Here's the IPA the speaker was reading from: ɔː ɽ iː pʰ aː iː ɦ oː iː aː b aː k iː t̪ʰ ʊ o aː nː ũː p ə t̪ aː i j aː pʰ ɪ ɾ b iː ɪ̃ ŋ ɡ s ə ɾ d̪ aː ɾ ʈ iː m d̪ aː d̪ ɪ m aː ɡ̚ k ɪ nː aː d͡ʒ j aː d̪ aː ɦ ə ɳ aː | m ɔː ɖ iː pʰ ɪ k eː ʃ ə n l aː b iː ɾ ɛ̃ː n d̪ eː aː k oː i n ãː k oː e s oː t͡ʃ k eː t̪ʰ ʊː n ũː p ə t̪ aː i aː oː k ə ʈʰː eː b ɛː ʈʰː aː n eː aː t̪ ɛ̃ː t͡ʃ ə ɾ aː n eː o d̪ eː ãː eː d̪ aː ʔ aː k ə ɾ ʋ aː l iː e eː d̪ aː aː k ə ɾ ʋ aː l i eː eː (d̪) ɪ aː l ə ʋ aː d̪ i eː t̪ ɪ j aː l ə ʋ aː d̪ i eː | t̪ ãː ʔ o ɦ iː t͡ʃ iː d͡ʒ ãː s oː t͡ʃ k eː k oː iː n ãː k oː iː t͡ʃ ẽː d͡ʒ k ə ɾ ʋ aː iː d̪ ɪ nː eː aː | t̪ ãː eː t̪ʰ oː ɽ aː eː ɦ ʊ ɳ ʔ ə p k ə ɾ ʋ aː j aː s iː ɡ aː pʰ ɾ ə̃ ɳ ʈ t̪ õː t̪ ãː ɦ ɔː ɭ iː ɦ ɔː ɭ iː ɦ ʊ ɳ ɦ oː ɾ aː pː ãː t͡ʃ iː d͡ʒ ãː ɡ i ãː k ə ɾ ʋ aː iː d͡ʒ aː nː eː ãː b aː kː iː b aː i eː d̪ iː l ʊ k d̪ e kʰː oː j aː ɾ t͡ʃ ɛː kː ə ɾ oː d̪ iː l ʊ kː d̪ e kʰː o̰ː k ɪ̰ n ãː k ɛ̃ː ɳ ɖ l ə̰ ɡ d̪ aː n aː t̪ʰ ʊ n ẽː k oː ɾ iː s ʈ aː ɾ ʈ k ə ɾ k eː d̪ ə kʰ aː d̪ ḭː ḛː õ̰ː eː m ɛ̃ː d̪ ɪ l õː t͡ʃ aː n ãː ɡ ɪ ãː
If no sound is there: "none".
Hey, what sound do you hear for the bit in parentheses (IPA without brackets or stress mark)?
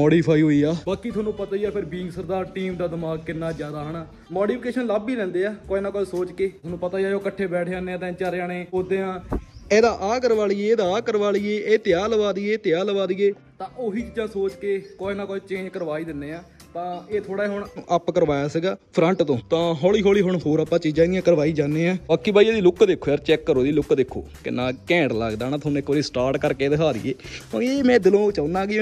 t̪